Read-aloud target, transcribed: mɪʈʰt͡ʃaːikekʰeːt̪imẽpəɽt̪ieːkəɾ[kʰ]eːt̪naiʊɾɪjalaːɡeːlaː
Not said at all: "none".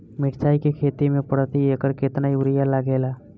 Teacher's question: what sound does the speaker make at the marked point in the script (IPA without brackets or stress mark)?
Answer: k